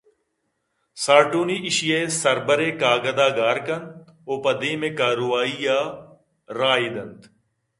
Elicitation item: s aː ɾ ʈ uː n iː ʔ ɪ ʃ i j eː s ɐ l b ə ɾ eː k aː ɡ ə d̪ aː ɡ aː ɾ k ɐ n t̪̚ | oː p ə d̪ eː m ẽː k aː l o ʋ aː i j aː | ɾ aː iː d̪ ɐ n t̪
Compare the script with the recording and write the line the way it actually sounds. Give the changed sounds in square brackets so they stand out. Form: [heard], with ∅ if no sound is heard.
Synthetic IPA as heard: s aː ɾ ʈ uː n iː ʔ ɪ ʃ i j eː s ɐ [ɾ] b ə ɾ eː k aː ɡ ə d̪ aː ɡ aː ɾ k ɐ n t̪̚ | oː p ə d̪ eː m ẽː k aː [ɾ] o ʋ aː i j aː | ɾ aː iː d̪ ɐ n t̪